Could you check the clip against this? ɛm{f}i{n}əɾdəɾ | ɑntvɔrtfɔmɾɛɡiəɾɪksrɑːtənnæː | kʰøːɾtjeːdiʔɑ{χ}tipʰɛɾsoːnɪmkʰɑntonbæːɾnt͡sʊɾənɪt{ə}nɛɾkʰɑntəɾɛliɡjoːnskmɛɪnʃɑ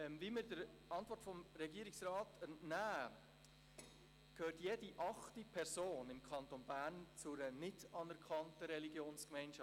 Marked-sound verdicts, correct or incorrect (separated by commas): incorrect, incorrect, correct, incorrect